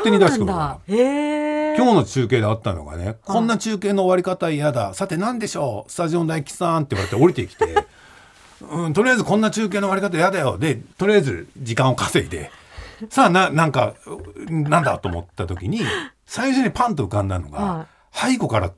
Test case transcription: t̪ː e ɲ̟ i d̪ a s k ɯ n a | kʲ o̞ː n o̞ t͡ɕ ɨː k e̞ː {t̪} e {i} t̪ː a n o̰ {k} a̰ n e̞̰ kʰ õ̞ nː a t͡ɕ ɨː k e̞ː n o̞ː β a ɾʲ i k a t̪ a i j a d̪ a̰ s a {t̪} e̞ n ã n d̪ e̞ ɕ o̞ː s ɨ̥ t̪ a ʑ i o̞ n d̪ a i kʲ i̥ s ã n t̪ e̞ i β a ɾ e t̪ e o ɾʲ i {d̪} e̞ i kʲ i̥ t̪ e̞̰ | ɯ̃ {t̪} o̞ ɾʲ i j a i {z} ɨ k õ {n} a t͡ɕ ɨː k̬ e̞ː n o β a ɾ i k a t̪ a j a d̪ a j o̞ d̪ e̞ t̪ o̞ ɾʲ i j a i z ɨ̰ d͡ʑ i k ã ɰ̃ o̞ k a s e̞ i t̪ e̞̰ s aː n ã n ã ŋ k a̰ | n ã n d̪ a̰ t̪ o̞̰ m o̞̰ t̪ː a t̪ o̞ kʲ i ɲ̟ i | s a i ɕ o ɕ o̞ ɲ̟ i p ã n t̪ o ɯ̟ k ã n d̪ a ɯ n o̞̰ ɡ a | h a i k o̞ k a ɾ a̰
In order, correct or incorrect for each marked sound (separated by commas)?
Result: incorrect, incorrect, incorrect, correct, incorrect, correct, correct, incorrect